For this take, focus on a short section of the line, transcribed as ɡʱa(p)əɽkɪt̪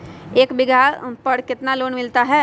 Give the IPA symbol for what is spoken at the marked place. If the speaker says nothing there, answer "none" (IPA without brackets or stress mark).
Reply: p